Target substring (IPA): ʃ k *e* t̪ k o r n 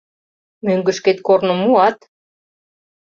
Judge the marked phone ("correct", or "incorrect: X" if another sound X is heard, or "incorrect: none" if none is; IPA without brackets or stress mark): correct